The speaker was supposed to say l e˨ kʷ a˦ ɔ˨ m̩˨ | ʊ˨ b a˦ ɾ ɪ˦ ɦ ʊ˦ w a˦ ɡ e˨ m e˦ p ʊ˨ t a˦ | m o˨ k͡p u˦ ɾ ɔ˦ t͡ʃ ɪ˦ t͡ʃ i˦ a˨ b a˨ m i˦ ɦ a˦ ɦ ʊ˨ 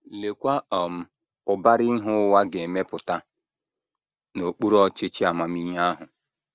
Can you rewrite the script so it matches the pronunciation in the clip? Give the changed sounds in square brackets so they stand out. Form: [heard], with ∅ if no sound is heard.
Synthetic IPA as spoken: l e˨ kʷ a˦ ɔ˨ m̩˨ | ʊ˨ b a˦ ɾ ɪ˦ ɦ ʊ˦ w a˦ ɡ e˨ m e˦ p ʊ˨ t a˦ | [n] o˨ k͡p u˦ ɾ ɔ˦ t͡ʃ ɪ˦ t͡ʃ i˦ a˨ [m] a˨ m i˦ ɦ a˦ ɦ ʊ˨